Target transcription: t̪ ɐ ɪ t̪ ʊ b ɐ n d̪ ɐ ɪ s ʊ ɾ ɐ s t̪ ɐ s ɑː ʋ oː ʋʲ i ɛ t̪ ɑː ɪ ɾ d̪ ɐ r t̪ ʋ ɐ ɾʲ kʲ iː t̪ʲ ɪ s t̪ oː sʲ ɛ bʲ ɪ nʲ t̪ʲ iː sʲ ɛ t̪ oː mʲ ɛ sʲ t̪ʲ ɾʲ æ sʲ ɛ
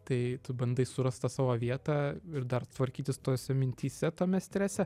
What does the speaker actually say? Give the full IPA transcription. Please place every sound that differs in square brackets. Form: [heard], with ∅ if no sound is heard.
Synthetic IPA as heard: t̪ ɐ ɪ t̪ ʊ b ɐ n d̪ ɐ ɪ s ʊ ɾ ɐ s t̪ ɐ s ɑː ʋ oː ʋʲ i ɛ t̪ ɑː ɪ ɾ d̪ ɐ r t̪ ʋ ɐ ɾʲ kʲ iː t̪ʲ ɪ s t̪ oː sʲ ɛ [mʲ] ɪ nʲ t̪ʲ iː sʲ ɛ t̪ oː mʲ ɛ sʲ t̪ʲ ɾʲ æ sʲ ɛ